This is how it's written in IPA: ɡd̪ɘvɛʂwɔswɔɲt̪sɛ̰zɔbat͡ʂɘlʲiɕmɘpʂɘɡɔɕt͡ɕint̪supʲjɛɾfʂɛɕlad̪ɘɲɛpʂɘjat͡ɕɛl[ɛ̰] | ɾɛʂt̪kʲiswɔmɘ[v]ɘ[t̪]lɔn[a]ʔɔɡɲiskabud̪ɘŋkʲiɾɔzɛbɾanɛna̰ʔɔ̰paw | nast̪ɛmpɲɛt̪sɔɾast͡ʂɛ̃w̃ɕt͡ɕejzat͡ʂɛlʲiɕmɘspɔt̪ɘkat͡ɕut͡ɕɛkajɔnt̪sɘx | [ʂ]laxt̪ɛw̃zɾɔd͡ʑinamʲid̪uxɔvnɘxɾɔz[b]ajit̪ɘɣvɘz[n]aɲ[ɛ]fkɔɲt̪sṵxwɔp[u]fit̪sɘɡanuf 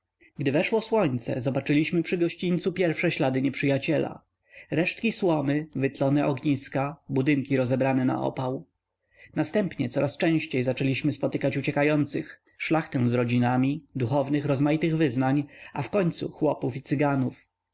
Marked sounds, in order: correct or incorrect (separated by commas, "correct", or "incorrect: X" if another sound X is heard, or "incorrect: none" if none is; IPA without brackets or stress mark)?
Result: incorrect: a̰, correct, correct, incorrect: ɛ, correct, incorrect: m, correct, incorrect: a, correct